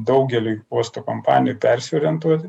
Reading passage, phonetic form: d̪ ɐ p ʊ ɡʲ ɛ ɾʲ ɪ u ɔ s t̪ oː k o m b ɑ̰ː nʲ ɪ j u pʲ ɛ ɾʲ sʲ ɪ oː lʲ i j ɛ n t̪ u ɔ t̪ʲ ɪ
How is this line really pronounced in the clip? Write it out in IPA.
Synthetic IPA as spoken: d̪ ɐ ʊ ɡʲ ɛ lʲ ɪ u ɔ s t̪ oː k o m p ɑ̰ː nʲ ɪ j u pʲ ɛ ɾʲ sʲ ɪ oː ɾʲ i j ɛ n t̪ u ɔ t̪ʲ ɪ